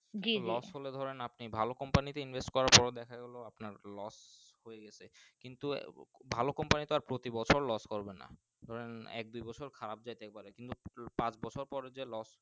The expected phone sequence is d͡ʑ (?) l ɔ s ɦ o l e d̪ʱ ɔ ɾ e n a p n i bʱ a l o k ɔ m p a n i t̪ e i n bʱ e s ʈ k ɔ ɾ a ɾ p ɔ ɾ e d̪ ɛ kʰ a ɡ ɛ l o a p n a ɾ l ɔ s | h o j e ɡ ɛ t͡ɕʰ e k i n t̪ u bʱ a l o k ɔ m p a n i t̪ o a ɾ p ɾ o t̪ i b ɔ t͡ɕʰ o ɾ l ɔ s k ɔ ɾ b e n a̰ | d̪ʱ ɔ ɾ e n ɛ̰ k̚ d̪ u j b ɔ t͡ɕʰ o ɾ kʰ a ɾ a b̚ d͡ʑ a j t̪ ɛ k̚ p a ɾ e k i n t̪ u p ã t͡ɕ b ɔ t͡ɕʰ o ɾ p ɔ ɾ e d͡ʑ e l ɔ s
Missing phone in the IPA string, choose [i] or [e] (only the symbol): i